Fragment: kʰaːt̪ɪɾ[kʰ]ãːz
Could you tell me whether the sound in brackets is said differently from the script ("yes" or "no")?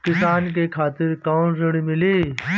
yes